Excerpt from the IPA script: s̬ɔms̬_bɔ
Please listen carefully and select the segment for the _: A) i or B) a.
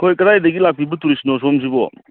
A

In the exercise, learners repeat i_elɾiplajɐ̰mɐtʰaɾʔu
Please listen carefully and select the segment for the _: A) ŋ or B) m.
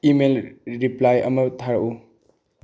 B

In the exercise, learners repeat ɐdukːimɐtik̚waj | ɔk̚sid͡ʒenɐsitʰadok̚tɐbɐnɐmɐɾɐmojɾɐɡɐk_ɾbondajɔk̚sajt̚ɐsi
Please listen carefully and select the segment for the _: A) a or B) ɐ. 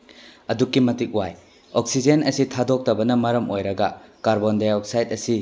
A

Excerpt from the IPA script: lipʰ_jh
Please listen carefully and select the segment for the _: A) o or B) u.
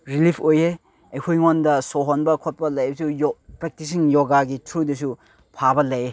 A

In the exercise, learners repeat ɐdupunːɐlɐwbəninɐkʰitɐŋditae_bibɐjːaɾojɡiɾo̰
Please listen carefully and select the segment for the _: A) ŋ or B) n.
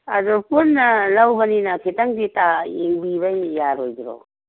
A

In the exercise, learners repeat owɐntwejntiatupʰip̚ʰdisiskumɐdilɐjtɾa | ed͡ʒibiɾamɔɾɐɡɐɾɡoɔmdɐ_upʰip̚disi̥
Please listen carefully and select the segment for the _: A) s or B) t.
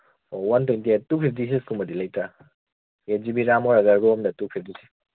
B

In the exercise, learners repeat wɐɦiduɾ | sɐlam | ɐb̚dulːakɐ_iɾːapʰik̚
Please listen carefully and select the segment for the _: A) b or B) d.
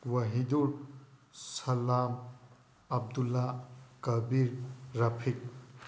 A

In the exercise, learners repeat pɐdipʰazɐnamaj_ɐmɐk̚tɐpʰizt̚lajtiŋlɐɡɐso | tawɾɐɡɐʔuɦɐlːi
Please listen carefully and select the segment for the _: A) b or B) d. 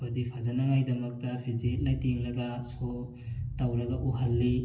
B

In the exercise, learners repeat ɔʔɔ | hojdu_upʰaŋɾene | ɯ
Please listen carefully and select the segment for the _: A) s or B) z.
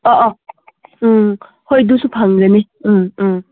A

